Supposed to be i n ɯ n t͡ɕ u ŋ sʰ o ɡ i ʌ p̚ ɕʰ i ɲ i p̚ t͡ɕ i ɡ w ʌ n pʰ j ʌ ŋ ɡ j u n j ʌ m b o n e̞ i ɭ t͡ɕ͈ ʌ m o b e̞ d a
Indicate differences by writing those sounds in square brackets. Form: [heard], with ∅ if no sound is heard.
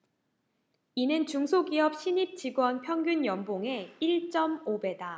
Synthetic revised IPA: i n ɯ n t͡ɕ u ŋ sʰ o ɡ i ʌ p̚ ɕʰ i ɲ i p̚ t͡ɕ i ɡ w ʌ n pʰ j ʌ ŋ ɡ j u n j ʌ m b o [ŋ] e̞ i ɭ t͡ɕ͈ ʌ m o b e̞ d a